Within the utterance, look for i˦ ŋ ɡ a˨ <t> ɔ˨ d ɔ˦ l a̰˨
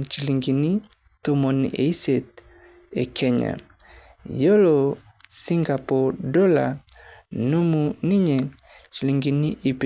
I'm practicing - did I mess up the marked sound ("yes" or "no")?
yes